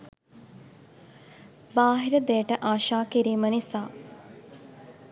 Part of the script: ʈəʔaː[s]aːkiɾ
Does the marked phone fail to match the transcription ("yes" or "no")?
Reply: yes